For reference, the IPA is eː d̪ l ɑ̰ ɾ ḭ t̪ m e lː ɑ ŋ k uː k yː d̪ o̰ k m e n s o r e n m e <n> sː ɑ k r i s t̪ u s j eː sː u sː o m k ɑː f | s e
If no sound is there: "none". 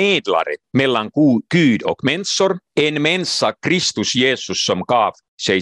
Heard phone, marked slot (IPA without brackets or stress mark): n